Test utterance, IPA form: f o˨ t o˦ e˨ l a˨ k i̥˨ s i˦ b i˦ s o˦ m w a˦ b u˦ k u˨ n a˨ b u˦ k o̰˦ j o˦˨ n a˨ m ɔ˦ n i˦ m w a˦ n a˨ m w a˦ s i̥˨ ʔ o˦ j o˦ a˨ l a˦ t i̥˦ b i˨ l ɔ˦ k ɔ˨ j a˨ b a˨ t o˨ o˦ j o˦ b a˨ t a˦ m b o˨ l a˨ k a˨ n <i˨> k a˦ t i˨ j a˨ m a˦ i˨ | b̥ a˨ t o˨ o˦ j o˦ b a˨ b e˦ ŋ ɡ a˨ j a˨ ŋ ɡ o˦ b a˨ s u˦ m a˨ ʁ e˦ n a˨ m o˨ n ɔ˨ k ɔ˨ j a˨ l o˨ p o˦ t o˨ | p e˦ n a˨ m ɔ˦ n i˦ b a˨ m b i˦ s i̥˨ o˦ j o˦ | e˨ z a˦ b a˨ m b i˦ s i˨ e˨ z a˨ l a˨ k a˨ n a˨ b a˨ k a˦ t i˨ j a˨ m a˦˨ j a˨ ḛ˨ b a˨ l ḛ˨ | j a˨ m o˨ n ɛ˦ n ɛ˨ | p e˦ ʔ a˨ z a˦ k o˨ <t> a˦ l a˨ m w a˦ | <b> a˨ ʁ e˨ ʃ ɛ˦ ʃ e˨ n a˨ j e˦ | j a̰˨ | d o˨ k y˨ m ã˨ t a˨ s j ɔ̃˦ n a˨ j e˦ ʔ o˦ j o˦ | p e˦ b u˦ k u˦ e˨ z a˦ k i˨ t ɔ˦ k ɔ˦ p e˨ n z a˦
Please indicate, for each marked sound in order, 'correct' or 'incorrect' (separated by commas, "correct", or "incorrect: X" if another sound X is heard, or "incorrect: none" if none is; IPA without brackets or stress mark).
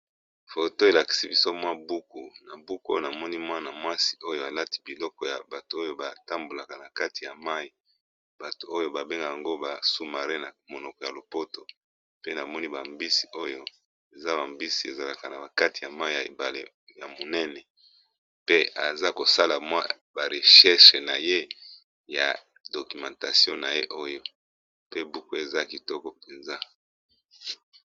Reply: incorrect: a˨, incorrect: s, correct